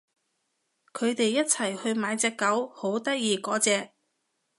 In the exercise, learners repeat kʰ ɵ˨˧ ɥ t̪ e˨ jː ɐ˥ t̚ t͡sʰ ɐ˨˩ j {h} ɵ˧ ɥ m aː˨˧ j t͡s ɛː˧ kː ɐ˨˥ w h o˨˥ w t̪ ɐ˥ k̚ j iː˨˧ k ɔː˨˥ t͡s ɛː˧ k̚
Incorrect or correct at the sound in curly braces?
correct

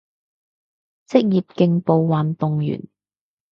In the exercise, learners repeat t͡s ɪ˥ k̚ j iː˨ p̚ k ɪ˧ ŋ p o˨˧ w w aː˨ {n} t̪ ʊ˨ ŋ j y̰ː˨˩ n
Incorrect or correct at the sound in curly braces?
correct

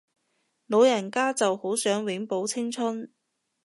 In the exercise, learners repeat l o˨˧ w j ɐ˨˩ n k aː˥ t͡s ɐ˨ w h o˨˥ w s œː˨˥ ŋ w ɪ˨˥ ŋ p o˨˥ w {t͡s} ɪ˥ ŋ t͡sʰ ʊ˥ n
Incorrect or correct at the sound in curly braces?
incorrect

